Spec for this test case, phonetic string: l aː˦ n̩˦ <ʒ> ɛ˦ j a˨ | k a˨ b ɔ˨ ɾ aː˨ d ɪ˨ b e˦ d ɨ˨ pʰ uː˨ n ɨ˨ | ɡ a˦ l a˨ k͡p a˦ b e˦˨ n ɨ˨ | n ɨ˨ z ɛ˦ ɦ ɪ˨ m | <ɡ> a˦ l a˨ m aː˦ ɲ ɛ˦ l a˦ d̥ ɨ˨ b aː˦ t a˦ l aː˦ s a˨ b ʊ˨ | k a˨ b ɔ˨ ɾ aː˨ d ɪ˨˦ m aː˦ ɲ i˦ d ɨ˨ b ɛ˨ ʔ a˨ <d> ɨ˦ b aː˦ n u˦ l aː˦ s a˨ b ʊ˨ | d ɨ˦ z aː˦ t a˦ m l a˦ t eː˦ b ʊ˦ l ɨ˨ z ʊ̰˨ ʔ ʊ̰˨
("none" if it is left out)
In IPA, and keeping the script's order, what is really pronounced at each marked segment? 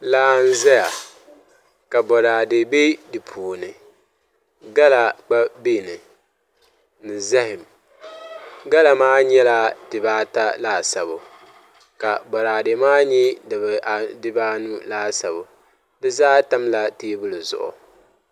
z, ɡ, d

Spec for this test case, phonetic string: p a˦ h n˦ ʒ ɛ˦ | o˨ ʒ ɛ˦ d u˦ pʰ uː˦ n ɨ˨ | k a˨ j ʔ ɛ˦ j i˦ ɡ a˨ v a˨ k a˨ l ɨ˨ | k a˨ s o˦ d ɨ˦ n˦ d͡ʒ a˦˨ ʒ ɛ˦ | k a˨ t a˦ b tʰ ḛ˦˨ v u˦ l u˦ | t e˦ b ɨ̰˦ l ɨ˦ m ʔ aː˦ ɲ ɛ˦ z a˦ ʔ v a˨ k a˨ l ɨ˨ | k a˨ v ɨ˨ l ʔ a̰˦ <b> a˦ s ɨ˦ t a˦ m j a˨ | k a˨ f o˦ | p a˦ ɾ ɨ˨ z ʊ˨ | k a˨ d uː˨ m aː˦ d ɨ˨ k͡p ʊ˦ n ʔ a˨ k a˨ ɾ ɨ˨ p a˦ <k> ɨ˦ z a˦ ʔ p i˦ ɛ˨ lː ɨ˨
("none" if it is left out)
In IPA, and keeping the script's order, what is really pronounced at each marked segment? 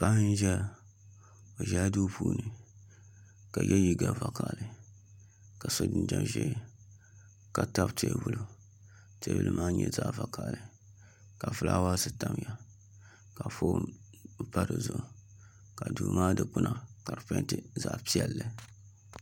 w, t

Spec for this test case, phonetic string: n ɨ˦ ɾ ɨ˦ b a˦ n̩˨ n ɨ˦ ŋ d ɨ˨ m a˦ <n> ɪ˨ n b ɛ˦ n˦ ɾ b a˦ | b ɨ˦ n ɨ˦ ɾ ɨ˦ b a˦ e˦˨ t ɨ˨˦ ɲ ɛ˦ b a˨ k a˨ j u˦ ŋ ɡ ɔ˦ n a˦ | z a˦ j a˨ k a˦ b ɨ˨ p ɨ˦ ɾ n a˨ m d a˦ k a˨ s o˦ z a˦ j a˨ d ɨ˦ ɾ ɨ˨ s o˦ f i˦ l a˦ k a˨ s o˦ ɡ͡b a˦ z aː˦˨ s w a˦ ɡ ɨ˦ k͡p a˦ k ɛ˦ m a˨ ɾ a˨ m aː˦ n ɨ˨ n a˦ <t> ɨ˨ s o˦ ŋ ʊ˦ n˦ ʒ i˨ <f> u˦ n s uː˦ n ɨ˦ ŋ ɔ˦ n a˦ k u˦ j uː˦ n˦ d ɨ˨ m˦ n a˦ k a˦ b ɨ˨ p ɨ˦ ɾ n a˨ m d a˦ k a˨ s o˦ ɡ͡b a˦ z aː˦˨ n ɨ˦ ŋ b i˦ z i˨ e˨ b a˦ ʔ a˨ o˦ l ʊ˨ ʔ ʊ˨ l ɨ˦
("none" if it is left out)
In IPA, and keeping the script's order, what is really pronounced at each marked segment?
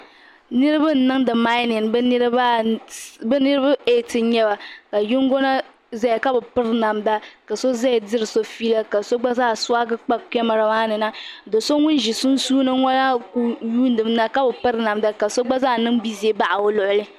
n, d, s

